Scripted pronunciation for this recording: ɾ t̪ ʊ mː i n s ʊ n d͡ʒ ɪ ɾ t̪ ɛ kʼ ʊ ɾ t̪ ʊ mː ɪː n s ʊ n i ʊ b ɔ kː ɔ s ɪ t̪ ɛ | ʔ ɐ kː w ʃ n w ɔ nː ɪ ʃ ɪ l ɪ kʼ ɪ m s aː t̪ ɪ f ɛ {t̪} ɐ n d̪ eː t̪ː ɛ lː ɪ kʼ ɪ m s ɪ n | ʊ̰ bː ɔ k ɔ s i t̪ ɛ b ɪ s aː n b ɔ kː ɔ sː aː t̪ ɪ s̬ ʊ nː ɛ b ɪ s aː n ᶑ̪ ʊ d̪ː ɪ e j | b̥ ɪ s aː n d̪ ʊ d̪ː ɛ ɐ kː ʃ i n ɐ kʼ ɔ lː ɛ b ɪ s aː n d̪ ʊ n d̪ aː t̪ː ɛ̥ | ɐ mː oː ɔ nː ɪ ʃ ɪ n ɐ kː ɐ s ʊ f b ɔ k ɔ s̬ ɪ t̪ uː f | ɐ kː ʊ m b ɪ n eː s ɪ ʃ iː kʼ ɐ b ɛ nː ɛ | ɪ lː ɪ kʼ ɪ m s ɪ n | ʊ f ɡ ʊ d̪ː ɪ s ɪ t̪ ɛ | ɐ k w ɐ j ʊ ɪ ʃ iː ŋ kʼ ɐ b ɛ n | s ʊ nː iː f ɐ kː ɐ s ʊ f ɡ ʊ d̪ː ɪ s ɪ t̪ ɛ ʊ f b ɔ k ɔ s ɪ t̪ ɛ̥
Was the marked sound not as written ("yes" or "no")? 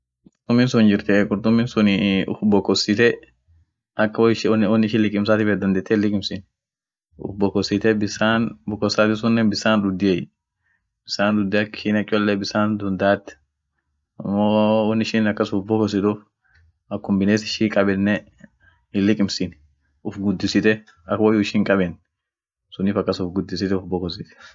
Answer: yes